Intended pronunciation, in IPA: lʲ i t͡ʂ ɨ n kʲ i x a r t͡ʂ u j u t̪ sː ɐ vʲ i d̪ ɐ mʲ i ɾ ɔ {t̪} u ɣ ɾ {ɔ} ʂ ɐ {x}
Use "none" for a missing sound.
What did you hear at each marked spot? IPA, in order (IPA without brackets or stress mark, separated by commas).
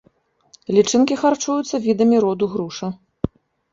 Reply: d̪, u, none